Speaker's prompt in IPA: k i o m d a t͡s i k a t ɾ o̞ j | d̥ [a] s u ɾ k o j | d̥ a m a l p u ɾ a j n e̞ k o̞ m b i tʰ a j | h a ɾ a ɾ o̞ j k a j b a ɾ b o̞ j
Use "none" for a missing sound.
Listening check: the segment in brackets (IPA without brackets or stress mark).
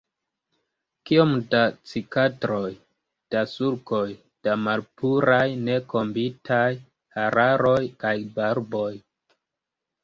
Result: a